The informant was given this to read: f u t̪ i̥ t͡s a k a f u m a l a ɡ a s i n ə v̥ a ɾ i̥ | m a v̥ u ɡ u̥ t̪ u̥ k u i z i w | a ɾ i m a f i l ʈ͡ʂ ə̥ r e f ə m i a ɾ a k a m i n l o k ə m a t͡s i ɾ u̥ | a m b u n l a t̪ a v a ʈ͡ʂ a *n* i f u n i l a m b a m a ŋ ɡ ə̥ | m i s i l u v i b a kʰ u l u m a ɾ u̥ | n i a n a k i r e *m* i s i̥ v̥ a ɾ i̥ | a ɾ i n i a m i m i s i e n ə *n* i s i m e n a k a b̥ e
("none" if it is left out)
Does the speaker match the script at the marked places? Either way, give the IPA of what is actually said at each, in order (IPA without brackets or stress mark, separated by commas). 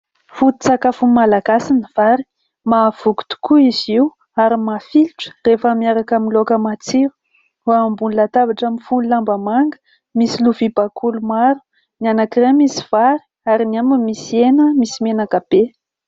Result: m, m, m